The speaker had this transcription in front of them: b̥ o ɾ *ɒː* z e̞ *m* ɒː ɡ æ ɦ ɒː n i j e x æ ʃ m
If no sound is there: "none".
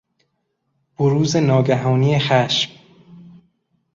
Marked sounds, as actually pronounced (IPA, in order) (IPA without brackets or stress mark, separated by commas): uː, n